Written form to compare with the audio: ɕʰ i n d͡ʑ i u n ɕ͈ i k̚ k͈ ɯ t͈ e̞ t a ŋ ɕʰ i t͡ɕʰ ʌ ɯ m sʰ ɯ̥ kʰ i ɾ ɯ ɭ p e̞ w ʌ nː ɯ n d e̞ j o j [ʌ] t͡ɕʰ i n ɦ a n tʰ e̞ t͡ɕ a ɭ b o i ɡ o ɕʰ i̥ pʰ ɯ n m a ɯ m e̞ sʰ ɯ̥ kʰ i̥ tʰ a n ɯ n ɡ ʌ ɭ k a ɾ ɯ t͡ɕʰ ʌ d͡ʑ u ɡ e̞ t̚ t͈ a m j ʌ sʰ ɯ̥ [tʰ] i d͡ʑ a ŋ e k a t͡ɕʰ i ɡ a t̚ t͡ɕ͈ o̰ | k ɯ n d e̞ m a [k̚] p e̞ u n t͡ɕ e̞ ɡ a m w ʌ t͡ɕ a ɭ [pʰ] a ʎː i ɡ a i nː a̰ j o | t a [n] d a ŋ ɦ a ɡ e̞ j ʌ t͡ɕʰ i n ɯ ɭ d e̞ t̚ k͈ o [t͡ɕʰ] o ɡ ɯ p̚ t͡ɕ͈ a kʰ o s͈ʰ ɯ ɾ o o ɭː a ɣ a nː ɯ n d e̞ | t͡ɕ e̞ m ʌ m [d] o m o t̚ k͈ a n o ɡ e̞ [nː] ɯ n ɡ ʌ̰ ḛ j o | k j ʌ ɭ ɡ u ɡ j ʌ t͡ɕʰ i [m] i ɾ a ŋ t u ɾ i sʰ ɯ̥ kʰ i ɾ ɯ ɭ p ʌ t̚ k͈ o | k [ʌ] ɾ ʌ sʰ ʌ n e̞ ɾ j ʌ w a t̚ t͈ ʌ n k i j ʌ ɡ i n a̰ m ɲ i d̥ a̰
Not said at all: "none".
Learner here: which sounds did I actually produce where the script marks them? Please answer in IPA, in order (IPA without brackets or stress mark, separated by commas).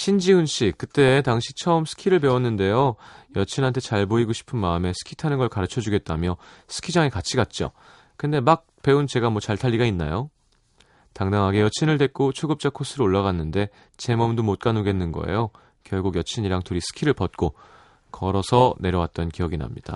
ʌ, kʰ, k̚, tʰ, ŋ, t͡ɕʰ, d, nː, ɲ, ʌ